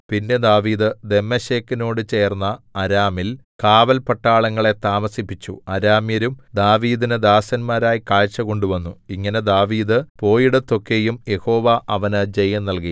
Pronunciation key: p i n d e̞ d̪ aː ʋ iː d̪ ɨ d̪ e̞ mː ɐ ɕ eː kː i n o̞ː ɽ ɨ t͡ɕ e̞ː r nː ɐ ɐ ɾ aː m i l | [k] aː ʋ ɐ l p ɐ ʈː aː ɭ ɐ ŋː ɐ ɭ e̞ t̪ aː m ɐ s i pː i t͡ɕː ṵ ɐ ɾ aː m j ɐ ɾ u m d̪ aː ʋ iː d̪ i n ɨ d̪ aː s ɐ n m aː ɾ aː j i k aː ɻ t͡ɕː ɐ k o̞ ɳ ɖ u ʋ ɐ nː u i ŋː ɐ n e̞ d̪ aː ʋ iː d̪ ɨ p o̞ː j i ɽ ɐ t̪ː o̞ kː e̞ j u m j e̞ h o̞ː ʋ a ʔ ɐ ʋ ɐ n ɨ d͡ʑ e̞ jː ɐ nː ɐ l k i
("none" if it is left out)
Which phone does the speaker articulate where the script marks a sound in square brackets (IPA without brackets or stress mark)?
k